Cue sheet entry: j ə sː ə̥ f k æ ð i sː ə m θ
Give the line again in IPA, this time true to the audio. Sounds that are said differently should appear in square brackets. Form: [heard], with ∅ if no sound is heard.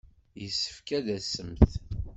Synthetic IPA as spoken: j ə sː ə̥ f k æ ð [æ] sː ə m θ